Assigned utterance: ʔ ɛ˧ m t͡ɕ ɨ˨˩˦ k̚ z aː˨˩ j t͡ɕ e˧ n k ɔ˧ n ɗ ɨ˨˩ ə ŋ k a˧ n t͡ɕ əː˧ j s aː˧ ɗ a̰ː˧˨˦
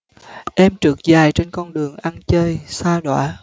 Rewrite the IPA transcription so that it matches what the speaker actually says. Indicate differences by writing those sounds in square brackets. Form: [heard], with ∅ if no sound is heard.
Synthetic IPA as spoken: ʔ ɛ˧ m t͡ɕ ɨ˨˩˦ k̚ z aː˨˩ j t͡ɕ e˧ n k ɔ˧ n ɗ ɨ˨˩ ə ŋ [ʔ] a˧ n t͡ɕ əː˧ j s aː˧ ɗ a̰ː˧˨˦